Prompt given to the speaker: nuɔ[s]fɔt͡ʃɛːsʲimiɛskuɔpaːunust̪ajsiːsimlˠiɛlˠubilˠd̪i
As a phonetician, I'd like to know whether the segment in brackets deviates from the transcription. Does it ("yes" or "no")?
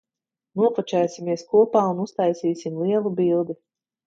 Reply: yes